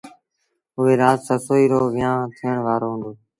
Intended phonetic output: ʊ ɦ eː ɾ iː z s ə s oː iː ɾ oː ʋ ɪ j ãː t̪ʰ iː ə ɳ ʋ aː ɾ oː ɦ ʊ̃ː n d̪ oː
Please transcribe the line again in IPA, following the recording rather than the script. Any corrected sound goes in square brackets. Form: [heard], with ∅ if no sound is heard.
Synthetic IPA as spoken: ʊ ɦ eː ɾ [aː] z s ə s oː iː ɾ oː ʋ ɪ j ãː t̪ʰ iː ə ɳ ʋ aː ɾ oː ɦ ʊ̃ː n d̪ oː